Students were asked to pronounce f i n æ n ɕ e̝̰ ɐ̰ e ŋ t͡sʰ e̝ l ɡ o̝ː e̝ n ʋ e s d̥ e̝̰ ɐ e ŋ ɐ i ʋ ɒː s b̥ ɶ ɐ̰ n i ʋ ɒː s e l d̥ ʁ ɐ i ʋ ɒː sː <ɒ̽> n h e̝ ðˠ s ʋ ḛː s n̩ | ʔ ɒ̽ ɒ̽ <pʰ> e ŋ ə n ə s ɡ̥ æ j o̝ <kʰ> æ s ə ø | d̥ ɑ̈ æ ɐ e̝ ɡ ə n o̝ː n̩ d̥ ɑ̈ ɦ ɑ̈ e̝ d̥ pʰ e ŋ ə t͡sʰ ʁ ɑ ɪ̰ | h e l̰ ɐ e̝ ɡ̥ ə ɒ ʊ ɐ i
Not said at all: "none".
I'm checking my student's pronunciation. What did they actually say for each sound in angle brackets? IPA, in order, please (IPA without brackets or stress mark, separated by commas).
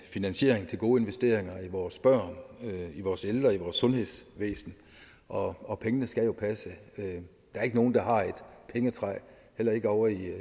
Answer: ɔ̽, pʰ, pʰ